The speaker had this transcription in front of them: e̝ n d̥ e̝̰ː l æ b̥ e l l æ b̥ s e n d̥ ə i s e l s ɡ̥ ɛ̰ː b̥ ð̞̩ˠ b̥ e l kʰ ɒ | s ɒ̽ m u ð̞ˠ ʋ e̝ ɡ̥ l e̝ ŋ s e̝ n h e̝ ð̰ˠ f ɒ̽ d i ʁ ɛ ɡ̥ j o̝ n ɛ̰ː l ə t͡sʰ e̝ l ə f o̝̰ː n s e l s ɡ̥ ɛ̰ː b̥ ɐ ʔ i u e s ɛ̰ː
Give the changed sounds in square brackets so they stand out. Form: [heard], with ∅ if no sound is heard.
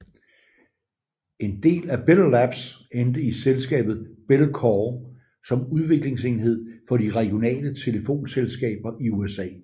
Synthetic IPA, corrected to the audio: e̝ n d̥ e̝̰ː l æ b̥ e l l æ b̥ s e n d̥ ə i s e l s ɡ̥ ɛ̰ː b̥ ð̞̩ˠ b̥ e l kʰ ɒ | s ɒ̽ m u ð̞ˠ ʋ e̝ ɡ̥ l e̝ ŋ s e̝ n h e̝ ð̰ˠ f ɒ̽ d i ʁ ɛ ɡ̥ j o̝ n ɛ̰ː l ə t͡sʰ e̝ l ə f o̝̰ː n s e l s ɡ̥ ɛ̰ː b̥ ɐ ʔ i u e s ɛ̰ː